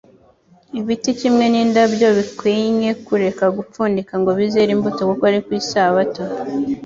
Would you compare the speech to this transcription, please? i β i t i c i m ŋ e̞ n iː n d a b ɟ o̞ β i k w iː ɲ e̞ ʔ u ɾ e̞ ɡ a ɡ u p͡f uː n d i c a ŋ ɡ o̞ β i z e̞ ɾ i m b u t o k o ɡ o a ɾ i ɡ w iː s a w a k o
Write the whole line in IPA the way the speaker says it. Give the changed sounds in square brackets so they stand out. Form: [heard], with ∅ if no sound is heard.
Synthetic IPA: i β i t i c i m ŋ e̞ n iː n d a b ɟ o̞ β i k w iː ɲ e̞ [k] u ɾ e̞ [k] a ɡ u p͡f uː n d i [k] a ŋ ɡ o̞ β i z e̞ ɾ i m b u t o k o [k] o a ɾ i [k] w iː s a [β] a [t] o